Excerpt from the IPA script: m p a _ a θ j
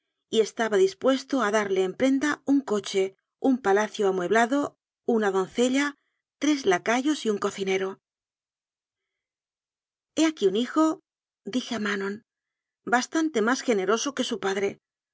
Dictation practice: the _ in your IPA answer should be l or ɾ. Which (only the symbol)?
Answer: l